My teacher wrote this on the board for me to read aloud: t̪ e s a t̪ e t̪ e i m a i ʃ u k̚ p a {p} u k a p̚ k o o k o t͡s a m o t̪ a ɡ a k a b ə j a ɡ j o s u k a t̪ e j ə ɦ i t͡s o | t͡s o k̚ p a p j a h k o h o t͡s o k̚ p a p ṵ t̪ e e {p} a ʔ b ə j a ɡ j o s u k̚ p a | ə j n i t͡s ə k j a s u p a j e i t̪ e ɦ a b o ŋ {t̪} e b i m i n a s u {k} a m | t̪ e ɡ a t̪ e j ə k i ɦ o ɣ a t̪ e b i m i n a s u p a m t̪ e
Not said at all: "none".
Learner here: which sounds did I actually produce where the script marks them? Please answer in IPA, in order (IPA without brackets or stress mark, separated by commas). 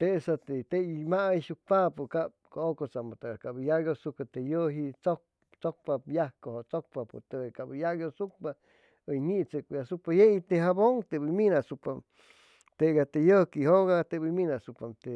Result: p, k, t̪, p